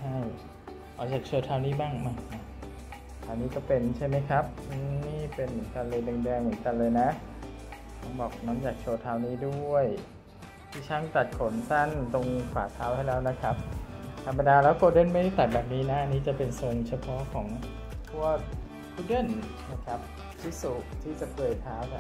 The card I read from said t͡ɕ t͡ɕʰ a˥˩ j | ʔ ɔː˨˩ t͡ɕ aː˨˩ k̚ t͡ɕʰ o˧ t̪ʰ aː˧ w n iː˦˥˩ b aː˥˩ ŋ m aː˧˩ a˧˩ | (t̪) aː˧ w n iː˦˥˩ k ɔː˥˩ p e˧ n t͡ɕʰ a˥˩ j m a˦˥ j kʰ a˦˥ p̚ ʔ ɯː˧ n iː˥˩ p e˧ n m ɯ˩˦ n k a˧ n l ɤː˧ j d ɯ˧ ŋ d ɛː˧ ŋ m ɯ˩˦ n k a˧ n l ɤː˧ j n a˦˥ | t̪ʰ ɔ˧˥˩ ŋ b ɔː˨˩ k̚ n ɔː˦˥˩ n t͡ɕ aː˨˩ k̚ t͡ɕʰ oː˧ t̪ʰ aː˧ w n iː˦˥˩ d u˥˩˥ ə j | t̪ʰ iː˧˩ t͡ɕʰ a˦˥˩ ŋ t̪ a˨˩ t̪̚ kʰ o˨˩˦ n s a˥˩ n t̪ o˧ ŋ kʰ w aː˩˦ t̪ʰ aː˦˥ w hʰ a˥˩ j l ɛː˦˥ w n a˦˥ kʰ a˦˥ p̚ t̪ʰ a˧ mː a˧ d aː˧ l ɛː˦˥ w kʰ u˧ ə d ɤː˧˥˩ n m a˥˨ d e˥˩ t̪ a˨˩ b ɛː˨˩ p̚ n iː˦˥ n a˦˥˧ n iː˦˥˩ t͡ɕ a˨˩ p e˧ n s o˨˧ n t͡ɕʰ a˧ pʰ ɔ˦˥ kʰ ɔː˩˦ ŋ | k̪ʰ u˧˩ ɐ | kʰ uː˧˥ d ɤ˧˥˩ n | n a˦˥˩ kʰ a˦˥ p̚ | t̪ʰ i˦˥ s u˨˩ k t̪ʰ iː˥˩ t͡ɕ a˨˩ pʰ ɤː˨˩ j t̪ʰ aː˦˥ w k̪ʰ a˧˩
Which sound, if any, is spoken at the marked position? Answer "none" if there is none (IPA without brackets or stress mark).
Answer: t̪ʰ